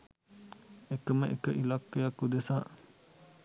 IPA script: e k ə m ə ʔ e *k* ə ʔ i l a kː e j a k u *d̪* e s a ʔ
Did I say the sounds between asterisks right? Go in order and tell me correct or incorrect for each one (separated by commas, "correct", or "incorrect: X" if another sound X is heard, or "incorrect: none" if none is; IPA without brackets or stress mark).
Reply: correct, correct